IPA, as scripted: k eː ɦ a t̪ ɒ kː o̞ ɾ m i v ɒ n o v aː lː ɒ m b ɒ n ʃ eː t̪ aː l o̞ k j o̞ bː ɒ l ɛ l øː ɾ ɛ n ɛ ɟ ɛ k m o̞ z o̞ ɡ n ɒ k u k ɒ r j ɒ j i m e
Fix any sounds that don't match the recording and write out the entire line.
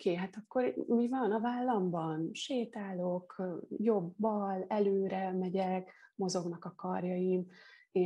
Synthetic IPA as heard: k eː ɦ a t̪ ɒ kː o̞ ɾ m i v ɒ n ɒ v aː lː ɒ m b ɒ n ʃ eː t̪ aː l o̞ k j o̞ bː ɒ l ɛ l øː ɾ ɛ m ɛ ɟ ɛ k m o̞ z o̞ ɡ n ɒ k ɒ k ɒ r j ɒ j i m e